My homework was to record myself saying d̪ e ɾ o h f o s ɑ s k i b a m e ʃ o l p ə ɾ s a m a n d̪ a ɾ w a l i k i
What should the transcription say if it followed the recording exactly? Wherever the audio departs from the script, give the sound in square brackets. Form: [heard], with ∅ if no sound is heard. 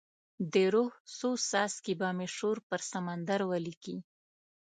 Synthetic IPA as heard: d̪ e ɾ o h [s] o s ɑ s k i b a m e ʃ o [ɾ] p ə ɾ s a m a n d̪ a ɾ w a l i k i